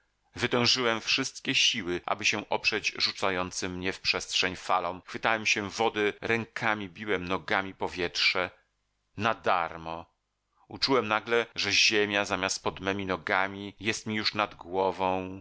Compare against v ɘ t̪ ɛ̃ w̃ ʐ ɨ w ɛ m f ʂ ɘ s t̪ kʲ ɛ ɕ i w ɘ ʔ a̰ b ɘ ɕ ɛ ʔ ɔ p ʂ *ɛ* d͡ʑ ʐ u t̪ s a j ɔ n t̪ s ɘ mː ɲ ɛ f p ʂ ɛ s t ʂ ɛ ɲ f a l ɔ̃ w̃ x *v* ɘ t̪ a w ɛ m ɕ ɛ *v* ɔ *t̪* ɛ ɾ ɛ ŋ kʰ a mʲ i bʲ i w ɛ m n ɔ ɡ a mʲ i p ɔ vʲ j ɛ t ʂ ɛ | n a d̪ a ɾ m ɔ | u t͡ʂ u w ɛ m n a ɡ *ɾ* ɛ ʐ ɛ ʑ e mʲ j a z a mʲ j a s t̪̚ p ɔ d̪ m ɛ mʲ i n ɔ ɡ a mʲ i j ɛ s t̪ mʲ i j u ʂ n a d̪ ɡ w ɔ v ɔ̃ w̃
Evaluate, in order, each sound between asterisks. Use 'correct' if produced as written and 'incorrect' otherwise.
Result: correct, incorrect, correct, incorrect, incorrect

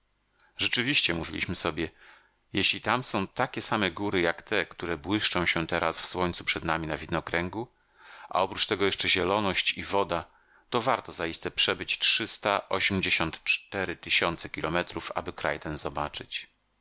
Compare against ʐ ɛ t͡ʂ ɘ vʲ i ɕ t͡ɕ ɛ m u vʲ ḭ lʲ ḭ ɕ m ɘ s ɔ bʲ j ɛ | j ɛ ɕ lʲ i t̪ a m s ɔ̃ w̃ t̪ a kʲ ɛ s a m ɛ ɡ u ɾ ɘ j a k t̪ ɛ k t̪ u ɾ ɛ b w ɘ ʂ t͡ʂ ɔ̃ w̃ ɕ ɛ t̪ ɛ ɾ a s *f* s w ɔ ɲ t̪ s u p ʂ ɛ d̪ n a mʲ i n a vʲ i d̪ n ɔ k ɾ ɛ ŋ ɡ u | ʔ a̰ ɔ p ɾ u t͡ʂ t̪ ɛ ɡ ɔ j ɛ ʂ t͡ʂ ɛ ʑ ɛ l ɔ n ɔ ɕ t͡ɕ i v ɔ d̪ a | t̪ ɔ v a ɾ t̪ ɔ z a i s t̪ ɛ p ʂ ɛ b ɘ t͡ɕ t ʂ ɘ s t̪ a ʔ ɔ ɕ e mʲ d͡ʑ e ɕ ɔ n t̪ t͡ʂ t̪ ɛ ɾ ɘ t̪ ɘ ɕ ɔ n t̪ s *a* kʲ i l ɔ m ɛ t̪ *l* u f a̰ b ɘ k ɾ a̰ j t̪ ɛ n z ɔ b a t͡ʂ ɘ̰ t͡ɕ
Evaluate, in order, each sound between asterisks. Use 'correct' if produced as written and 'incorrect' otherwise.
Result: correct, incorrect, incorrect

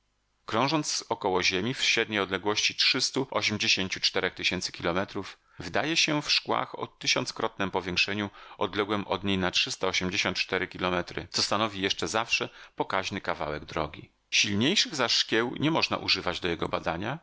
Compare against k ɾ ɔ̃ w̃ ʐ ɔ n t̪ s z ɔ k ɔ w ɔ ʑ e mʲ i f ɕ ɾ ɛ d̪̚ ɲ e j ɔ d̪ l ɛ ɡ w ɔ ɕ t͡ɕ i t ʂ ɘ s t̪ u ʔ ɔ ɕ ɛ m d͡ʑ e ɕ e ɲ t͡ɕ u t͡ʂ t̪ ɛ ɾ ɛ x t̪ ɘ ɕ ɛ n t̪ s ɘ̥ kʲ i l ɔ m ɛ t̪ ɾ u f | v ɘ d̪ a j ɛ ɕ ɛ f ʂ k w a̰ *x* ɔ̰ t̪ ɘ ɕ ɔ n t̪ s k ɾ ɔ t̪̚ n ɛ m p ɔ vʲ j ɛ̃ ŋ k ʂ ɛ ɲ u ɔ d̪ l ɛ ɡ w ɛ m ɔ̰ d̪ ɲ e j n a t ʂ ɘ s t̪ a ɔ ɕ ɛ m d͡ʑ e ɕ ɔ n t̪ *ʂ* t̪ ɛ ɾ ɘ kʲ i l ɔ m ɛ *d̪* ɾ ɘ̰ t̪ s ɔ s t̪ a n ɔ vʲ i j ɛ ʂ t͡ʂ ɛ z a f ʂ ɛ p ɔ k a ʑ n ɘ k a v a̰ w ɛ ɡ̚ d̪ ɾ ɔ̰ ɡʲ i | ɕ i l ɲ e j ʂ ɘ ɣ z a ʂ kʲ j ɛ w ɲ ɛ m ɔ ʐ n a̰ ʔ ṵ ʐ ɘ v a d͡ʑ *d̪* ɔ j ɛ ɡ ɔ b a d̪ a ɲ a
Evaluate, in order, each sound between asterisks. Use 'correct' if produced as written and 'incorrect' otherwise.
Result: correct, incorrect, incorrect, correct

